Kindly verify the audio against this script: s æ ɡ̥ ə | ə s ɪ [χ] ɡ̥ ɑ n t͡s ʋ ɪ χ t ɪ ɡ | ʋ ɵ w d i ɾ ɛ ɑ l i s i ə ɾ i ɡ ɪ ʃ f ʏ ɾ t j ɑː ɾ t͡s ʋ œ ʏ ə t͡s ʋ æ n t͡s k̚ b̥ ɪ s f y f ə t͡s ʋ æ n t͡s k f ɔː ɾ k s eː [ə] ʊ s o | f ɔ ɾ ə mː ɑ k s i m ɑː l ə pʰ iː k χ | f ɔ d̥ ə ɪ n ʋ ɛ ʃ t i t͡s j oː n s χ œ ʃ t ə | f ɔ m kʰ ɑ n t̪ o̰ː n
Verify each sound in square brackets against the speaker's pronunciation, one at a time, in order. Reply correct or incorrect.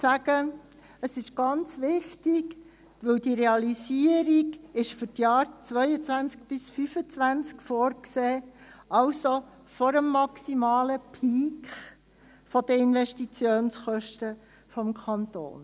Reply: incorrect, incorrect

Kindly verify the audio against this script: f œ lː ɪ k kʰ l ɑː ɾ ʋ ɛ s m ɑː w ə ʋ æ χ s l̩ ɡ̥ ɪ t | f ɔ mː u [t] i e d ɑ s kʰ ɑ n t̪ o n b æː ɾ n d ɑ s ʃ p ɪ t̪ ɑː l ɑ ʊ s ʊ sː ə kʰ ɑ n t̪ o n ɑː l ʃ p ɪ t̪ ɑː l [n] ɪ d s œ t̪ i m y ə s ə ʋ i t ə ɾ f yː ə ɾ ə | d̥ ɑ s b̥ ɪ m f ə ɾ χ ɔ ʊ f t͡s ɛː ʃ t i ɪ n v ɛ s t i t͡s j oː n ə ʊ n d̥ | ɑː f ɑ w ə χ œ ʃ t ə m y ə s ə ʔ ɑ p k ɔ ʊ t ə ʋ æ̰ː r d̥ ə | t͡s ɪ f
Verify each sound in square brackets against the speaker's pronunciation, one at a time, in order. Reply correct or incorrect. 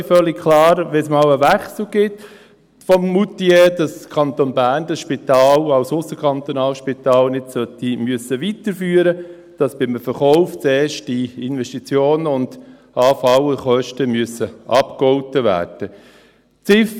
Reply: correct, correct

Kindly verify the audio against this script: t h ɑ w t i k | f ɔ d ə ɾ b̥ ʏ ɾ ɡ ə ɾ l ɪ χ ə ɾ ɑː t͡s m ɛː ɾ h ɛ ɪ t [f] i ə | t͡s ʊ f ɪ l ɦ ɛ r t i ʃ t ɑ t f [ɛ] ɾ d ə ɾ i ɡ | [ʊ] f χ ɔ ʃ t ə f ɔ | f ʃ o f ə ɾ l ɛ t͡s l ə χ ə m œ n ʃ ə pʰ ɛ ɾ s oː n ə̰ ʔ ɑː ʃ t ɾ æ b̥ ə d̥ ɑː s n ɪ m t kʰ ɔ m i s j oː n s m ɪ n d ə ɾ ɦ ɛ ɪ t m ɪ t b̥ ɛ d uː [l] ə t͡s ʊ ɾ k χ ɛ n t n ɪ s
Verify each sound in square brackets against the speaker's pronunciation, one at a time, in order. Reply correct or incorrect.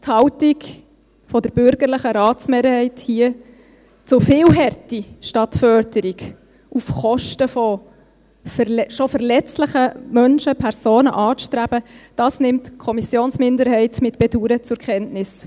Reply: incorrect, incorrect, incorrect, incorrect

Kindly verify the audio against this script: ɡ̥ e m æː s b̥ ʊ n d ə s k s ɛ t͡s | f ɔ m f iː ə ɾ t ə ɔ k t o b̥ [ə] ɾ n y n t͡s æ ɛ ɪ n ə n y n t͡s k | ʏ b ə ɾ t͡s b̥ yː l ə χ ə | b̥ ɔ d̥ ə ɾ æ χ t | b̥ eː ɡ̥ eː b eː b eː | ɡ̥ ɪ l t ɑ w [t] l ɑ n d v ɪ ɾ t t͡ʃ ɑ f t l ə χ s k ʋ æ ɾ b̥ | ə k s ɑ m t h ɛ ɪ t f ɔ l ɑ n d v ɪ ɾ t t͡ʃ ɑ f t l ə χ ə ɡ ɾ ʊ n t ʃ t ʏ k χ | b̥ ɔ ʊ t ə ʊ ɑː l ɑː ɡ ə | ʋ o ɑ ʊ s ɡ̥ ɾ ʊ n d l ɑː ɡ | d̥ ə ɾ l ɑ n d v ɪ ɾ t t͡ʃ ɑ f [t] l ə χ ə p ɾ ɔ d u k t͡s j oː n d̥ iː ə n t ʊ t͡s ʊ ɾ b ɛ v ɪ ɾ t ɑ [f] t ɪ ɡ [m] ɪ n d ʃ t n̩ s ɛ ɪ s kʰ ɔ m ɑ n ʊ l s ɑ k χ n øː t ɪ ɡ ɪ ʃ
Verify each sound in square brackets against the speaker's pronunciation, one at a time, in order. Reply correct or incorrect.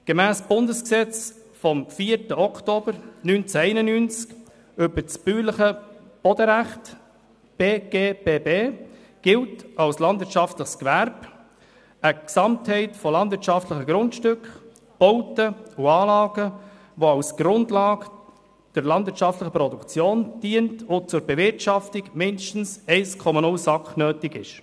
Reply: correct, incorrect, correct, correct, correct

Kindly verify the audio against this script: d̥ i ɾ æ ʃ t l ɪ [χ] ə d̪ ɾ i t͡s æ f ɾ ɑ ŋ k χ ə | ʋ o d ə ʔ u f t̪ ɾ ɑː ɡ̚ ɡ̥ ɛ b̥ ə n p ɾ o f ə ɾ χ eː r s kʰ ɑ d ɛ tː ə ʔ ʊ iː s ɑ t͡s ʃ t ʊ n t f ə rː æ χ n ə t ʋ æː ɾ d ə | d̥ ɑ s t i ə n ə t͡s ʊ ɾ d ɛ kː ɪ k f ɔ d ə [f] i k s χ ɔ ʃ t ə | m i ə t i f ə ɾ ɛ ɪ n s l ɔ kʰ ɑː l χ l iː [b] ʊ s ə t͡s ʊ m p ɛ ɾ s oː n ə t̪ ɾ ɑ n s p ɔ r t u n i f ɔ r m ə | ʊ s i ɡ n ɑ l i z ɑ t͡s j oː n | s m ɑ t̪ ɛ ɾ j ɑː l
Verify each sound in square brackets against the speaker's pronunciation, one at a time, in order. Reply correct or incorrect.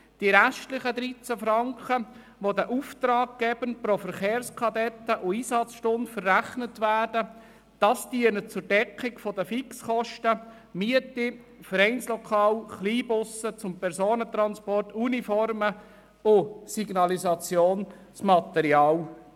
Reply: correct, correct, correct

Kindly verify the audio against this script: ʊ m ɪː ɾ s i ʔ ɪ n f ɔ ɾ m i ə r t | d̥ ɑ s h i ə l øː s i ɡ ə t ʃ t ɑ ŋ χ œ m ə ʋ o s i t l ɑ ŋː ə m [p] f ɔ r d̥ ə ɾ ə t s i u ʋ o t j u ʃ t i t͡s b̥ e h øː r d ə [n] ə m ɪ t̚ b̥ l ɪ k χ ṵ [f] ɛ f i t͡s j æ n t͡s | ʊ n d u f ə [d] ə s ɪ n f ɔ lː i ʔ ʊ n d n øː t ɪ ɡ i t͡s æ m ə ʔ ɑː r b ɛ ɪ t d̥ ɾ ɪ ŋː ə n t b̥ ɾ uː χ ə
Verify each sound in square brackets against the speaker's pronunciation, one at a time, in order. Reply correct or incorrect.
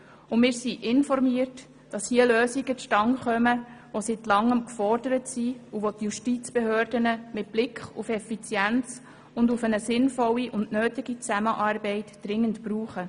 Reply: incorrect, correct, correct, incorrect

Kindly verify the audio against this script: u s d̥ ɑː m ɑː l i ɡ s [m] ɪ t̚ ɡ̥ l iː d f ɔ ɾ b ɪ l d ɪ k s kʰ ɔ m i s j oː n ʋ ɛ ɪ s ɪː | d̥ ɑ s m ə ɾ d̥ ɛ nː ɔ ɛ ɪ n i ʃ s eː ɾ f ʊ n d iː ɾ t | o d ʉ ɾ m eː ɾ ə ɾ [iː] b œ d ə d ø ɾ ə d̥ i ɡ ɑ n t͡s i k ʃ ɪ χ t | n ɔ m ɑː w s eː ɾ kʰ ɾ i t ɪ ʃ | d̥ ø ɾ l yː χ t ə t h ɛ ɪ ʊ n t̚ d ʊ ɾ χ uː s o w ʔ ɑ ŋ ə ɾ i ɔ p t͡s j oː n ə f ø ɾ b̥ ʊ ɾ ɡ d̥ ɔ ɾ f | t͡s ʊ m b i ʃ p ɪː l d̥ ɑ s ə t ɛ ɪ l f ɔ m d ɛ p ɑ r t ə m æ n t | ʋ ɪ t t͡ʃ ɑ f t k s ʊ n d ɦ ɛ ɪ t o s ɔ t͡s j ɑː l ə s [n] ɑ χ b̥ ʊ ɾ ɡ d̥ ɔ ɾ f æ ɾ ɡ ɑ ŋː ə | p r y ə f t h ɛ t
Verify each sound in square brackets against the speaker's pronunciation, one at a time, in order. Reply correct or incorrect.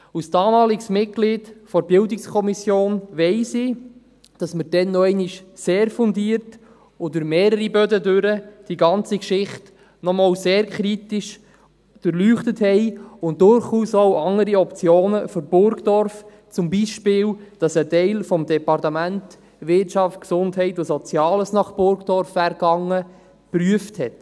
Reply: correct, incorrect, correct

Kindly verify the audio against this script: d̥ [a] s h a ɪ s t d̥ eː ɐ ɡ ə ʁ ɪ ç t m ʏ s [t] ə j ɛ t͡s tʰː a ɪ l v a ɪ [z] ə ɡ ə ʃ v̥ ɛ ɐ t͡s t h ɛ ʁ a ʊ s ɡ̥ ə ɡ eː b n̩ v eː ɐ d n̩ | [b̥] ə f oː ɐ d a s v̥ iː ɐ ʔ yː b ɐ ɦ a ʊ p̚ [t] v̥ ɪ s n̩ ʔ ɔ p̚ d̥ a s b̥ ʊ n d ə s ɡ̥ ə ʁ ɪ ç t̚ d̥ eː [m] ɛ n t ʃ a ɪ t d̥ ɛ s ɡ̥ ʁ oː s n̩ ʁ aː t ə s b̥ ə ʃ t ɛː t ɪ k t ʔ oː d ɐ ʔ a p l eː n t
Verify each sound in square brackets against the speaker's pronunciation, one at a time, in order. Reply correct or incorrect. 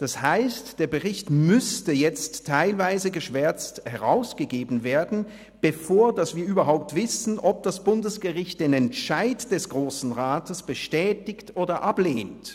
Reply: correct, correct, correct, correct, correct, incorrect

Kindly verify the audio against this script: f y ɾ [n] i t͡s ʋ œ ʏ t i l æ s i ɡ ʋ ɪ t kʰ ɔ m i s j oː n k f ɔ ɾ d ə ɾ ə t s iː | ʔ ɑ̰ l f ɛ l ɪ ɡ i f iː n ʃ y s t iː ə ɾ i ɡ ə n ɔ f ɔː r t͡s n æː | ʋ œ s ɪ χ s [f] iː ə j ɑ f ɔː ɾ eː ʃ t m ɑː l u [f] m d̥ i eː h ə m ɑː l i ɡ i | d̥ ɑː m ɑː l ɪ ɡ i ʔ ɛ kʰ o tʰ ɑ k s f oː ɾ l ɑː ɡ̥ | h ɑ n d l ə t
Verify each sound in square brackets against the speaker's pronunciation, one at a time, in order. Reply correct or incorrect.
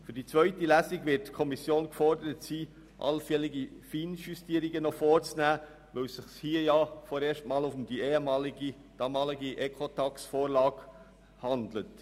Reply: incorrect, incorrect, correct

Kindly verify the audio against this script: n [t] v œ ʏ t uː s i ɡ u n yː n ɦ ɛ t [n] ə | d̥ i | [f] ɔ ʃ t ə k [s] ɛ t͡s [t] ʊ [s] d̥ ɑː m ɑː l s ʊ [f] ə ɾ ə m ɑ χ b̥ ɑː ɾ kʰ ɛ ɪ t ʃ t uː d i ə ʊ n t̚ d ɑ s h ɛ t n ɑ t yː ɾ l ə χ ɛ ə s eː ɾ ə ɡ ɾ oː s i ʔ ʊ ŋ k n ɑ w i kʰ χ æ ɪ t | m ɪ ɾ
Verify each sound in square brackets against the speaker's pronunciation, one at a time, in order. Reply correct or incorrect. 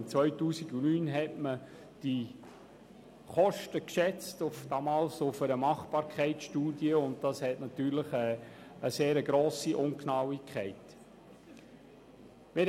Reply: incorrect, incorrect, incorrect, incorrect, correct, incorrect, correct

